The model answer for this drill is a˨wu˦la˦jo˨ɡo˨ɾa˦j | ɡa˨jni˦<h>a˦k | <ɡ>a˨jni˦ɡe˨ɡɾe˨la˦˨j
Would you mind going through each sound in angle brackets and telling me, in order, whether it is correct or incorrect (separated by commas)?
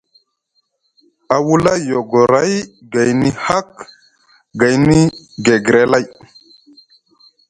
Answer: correct, correct